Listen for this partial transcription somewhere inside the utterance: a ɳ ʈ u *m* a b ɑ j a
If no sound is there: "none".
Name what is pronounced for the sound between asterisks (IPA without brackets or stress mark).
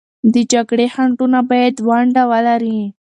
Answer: n